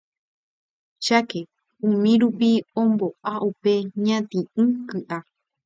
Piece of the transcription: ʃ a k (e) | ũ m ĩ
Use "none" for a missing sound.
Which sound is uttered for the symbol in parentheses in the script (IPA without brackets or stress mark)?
e